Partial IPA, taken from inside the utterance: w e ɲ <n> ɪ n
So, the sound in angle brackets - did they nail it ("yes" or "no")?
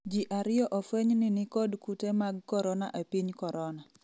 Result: yes